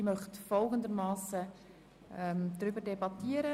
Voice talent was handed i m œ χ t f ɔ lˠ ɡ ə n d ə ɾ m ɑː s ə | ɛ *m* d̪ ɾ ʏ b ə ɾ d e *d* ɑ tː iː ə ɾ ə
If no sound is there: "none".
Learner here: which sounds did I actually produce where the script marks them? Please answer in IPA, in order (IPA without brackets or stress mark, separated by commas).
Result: m, b